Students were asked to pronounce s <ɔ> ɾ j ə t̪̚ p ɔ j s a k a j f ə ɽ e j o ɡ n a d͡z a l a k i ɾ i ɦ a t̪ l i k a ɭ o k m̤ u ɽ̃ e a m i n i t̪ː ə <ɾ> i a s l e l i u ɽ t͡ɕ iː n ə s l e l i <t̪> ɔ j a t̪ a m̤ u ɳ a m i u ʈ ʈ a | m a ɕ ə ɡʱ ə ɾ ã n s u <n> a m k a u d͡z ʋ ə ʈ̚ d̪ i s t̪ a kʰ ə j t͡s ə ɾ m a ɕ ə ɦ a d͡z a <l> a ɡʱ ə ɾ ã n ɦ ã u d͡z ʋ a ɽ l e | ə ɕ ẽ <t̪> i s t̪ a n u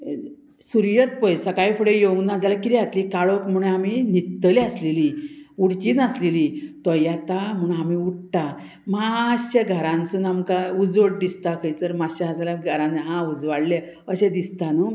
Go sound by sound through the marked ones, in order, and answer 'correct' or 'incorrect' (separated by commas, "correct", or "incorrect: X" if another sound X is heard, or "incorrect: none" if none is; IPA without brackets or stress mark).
incorrect: u, incorrect: l, correct, correct, correct, incorrect: d̪